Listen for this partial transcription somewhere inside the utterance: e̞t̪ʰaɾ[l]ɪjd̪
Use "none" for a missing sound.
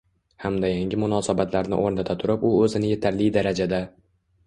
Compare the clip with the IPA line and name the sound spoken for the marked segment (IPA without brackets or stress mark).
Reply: l